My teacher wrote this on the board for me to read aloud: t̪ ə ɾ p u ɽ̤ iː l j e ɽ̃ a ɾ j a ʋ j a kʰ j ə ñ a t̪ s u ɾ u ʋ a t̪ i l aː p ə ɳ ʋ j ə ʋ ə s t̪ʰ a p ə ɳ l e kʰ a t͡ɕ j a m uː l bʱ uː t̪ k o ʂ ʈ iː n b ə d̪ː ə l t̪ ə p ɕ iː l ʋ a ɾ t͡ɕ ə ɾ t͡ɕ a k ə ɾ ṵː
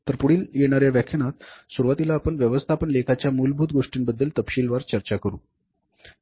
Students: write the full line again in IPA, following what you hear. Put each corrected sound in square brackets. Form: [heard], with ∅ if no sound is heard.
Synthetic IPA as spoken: t̪ ə ɾ p u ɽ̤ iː l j e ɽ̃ a ɾ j a ʋ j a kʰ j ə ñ a t̪ s u ɾ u ʋ a t̪ i l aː p ə ɳ ʋ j ə ʋ ə s t̪ʰ a p ə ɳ l e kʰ a t͡ɕ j a m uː l bʱ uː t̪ [ɡ] o ʂ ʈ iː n b ə d̪ː ə l t̪ ə p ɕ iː l ʋ a ɾ t͡ɕ ə ɾ t͡ɕ a k ə ɾ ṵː